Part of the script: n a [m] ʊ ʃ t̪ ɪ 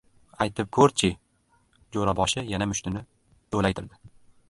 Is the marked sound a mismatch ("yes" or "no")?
no